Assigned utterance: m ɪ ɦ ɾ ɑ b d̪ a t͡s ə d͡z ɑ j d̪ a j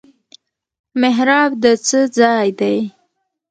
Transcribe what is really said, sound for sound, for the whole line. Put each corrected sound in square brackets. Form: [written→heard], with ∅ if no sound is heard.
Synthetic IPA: m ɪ ɦ ɾ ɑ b d̪ [a→ə] t͡s ə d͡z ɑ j d̪ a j

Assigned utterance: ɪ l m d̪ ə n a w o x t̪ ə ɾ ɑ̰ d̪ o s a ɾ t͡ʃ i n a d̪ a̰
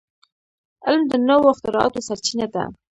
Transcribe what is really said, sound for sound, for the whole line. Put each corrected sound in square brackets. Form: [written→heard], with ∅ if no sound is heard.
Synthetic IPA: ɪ l m d̪ ə n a w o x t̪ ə ɾ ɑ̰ [d̪→t̪] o s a ɾ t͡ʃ i n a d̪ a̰

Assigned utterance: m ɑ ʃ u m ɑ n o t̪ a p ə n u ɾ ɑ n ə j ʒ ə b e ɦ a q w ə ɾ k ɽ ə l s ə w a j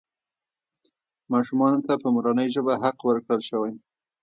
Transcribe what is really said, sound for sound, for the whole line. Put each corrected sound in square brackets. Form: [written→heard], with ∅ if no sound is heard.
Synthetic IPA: m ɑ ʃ u m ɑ n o t̪ a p ə [n→m] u ɾ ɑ n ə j ʒ ə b [e→a] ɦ a q w ə ɾ k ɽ ə l [s→ʃ] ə w a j

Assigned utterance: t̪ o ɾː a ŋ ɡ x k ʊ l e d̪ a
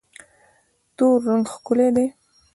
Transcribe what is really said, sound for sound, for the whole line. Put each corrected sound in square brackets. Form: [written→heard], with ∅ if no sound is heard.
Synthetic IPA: t̪ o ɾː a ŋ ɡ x k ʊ l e d̪ [a→e]

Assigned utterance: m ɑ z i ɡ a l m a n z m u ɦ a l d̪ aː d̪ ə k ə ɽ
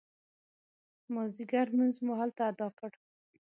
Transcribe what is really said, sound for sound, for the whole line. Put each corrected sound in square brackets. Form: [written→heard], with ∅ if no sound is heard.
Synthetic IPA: m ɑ z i ɡ a [l→ɾ] m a n z m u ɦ a l [d̪→t̪] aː d̪ [ə→ɑ] k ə ɽ

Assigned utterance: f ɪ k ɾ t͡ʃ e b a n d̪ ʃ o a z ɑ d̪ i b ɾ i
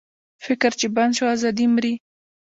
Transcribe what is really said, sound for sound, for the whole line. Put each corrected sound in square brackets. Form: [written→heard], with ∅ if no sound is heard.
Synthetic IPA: f ɪ k ɾ t͡ʃ e b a n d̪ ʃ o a z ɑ d̪ i [b→m] ɾ i

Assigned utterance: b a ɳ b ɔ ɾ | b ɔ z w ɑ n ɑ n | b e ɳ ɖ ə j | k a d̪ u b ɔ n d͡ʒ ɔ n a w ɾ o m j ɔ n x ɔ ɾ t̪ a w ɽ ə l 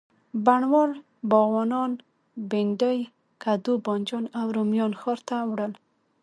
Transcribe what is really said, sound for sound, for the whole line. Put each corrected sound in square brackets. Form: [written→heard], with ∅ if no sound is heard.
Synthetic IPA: b a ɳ [b→w] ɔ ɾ | b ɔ [z→ɣ] w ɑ n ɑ n | b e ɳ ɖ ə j | k a d̪ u b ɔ n d͡ʒ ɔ n a w ɾ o m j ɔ n x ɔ ɾ t̪ a w ɽ ə l

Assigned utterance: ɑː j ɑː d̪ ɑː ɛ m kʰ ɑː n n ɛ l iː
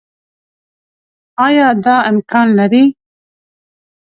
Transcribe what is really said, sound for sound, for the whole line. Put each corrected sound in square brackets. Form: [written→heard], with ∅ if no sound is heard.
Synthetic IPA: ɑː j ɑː d̪ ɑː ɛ m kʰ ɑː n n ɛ [l→ɾ] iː

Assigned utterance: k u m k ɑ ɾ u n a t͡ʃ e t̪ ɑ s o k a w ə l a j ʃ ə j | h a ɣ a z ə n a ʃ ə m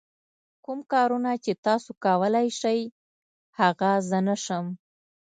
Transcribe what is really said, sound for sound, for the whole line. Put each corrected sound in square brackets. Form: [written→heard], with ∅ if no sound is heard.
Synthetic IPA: k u m k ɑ ɾ u n a t͡ʃ e t̪ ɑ s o k a w ə l a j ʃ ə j | h a ɣ a z ə n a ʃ ə m

